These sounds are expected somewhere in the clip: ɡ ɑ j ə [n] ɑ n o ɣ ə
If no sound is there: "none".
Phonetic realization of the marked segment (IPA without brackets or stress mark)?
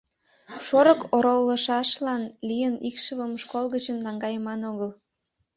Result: m